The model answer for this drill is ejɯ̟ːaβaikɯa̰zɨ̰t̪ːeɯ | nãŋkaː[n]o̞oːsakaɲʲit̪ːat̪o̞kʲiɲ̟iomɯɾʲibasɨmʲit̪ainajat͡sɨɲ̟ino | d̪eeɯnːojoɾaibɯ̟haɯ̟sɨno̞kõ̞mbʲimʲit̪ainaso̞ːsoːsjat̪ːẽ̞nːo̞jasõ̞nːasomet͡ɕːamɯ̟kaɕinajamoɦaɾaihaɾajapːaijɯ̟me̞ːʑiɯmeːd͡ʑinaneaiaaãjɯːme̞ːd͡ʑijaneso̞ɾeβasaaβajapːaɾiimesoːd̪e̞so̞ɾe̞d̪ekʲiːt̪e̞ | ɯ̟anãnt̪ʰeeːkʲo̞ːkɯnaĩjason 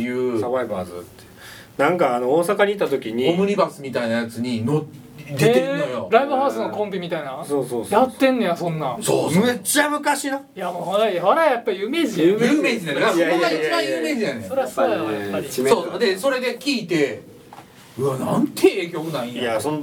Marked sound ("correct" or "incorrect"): correct